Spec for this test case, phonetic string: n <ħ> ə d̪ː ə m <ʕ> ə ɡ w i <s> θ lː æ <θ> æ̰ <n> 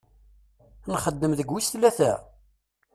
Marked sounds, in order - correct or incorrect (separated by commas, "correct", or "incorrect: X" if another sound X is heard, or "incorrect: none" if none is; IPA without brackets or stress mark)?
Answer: incorrect: χ, incorrect: ð, correct, correct, incorrect: none